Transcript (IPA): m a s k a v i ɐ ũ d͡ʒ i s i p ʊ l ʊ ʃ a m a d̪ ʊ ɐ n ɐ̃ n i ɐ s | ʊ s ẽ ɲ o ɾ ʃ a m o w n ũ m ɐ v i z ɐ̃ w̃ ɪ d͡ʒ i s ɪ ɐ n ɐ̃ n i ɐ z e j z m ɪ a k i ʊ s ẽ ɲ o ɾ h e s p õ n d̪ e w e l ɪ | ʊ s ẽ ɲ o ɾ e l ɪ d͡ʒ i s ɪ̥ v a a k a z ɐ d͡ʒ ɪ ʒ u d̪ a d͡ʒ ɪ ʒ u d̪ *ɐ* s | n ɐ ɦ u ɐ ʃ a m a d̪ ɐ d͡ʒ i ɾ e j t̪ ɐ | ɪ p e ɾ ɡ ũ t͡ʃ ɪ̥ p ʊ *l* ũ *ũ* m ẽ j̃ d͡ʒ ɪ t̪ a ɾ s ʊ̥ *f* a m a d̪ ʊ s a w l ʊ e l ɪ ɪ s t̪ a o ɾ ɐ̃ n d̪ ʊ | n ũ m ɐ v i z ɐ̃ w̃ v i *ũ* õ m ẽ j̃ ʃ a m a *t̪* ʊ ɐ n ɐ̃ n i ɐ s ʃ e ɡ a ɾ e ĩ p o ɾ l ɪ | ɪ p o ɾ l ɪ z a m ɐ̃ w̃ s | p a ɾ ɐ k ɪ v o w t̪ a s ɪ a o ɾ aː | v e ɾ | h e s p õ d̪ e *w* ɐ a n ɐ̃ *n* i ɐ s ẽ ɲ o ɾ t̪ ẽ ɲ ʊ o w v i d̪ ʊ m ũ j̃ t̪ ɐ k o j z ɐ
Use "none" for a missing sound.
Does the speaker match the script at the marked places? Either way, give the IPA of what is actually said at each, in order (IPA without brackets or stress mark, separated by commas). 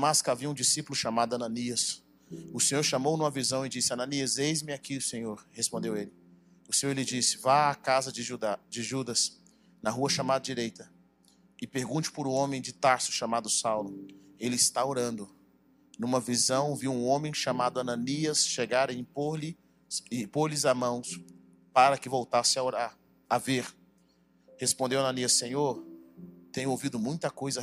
ɐ, ɾ, õ, ʃ, ũ, d̪, w, n